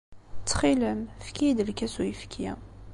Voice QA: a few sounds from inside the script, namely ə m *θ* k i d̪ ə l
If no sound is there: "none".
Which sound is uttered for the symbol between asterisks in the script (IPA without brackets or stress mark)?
f